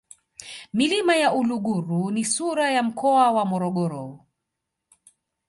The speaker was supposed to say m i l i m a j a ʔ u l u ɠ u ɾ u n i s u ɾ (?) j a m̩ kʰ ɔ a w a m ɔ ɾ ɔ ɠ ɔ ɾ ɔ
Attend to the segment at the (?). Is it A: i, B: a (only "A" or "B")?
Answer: B